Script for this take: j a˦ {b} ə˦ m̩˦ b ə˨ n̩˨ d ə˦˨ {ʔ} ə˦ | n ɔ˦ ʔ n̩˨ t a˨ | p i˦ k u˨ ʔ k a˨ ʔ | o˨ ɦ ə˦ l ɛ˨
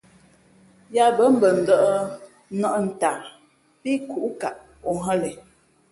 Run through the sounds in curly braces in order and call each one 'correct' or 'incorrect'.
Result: correct, correct

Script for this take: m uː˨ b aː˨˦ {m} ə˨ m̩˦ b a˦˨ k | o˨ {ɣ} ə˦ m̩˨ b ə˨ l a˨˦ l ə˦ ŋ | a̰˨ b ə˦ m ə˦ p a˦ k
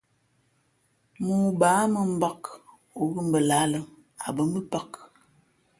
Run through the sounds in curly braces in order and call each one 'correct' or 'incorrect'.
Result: correct, correct

